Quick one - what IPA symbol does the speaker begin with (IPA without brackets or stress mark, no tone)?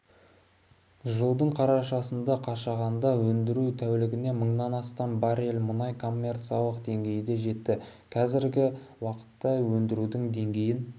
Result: ʒ